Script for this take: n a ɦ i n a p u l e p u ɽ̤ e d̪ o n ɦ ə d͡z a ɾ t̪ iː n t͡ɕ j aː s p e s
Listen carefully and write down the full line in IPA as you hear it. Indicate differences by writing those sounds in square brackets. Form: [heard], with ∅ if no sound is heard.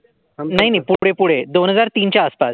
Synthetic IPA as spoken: n a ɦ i n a p u [ɽ] e p u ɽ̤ e d̪ o n ɦ ə d͡z a ɾ t̪ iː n t͡ɕ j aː s p [a] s